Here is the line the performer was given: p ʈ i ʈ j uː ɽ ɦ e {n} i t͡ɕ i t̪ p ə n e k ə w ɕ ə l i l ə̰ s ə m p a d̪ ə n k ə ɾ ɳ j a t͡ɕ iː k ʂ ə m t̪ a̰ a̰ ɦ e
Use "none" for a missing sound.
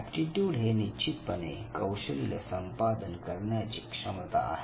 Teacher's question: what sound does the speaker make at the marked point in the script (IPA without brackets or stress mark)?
n